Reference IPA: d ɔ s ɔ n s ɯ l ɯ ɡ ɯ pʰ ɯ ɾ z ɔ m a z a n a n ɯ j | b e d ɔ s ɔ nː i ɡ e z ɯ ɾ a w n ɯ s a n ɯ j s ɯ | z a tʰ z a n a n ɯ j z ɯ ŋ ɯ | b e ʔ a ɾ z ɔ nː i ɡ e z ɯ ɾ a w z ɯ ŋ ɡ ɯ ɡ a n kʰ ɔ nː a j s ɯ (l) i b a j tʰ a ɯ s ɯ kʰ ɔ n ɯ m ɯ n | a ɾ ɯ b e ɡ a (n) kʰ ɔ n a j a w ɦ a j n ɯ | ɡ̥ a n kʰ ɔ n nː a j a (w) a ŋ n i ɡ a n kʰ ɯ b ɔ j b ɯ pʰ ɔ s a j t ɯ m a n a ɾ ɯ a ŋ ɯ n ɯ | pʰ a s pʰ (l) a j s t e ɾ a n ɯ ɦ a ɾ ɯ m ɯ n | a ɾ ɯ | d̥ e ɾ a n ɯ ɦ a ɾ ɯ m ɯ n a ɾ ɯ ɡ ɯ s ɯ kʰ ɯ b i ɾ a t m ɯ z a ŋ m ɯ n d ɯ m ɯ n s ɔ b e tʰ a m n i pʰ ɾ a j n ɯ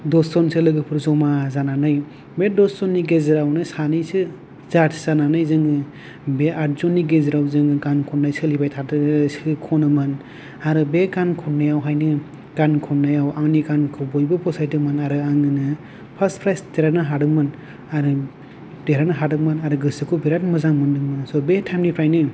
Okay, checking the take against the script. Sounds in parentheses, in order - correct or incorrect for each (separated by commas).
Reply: correct, correct, correct, incorrect